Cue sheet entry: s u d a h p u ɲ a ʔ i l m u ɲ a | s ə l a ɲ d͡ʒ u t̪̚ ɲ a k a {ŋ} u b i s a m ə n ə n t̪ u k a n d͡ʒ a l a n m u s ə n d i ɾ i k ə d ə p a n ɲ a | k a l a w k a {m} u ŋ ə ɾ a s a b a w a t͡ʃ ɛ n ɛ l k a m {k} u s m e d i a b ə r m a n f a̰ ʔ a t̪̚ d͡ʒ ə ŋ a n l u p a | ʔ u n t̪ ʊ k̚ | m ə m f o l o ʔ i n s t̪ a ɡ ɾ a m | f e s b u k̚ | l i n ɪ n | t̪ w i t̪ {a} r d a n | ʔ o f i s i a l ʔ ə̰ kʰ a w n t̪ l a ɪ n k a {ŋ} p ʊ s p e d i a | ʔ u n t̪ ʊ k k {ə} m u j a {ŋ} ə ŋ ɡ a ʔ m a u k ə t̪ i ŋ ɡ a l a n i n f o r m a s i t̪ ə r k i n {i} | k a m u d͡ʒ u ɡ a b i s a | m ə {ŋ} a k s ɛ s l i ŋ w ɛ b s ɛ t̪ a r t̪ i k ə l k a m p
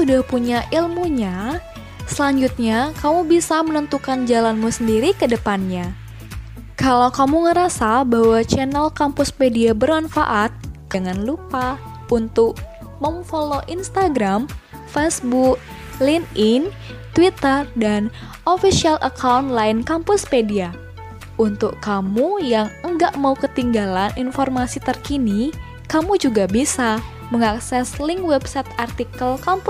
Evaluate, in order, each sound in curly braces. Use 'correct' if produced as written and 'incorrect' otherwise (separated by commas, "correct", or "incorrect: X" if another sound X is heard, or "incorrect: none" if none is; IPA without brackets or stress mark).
incorrect: m, correct, incorrect: p, incorrect: ə, incorrect: m, incorrect: a, correct, correct, correct